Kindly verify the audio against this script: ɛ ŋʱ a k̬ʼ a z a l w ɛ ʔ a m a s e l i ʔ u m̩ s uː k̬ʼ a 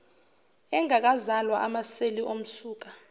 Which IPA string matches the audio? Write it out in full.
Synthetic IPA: ɛ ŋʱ a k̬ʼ a z a l w a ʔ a m a s e l i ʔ o m̩ s uː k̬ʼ a

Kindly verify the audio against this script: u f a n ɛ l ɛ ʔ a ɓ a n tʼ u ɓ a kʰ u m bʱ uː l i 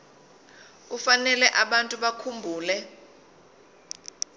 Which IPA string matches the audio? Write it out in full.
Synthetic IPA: u f a n ɛ l ɛ ʔ a ɓ a n tʼ u ɓ a kʰ u m bʱ uː l ɛ

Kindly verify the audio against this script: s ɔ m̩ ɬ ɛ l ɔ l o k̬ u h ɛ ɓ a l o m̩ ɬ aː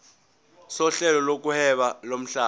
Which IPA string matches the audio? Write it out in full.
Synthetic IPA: s ɔ ɬ ɛ l ɔ l o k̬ u h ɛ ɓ a l o m̩ ɬ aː

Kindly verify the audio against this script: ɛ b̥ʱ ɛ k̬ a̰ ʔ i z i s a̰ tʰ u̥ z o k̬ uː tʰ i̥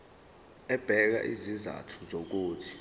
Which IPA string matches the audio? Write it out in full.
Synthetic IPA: ɛ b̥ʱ ɛ k̬ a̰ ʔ i z i z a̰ tʰ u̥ z o k̬ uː tʰ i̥

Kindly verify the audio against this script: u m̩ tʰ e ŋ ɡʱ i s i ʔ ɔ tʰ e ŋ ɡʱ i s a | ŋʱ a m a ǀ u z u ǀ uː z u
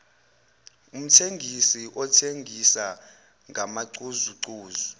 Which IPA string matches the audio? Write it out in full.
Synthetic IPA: u m̩ tʰ e ŋ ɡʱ i s i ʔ ɔ tʰ e ŋ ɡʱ i s a | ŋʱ a m a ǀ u z u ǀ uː z u

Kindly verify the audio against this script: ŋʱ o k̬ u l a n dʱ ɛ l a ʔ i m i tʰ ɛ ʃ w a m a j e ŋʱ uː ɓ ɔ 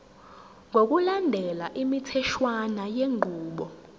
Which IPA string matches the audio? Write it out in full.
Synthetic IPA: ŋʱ o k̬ u l a n dʱ ɛ l a ʔ i m i tʰ ɛ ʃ w a n a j e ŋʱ uː ɓ ɔ

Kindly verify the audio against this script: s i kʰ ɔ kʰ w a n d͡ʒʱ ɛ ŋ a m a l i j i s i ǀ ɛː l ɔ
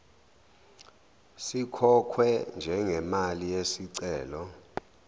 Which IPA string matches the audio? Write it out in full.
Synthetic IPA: s i kʰ ɔ kʰ w ɛ n d͡ʒʱ ɛ ŋ ɛ m a l i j e s i ǀ ɛː l ɔ

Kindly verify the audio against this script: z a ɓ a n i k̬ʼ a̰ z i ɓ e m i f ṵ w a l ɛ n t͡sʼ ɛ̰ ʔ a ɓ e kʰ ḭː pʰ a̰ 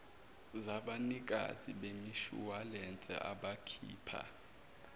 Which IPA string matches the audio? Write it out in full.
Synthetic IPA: z a ɓ a n i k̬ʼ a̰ z i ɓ e m i ʃ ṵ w a l ɛ n t͡sʼ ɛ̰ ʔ a ɓ a kʰ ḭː pʰ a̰

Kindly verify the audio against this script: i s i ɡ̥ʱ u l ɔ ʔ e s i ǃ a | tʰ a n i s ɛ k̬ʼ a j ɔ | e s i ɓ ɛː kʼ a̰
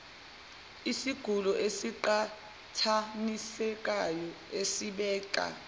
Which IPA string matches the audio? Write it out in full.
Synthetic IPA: i s i ɡ̥ʱ u l ɔ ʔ e s i ǃ a | tʰ a n i s ɛ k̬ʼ a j ɔ | e s i ɓ ɛː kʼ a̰

